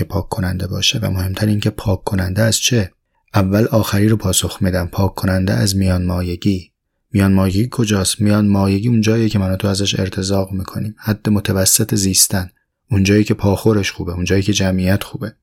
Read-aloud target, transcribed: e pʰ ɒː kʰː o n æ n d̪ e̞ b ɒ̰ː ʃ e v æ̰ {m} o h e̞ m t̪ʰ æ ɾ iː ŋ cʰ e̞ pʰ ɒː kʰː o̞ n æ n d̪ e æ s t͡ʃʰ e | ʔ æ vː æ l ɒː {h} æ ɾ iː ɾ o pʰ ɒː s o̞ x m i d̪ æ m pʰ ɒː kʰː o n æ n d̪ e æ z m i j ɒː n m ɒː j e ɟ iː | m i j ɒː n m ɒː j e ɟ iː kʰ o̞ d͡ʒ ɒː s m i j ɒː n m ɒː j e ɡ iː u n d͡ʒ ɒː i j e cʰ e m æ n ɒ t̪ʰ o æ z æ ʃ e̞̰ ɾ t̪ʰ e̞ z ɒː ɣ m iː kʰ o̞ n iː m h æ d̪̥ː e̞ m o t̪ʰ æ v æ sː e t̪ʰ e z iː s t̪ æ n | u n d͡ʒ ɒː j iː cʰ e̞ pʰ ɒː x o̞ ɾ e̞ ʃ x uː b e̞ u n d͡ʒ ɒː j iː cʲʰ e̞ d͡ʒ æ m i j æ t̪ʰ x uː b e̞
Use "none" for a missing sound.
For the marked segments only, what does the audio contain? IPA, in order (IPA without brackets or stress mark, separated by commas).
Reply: m, x